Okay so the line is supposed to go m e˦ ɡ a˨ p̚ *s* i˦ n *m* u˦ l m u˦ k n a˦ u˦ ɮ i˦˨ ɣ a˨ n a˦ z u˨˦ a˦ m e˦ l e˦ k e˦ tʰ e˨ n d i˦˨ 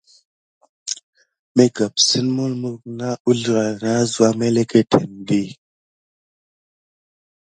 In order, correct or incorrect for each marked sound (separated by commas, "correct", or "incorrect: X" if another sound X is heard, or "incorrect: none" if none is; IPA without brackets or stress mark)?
correct, correct